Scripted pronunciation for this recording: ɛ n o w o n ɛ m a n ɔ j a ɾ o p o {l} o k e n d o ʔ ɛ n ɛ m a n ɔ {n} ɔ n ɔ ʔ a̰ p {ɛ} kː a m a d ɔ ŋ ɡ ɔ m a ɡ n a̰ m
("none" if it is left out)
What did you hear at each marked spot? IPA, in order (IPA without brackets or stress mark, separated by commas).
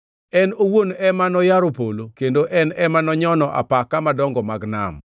l, ɲ, a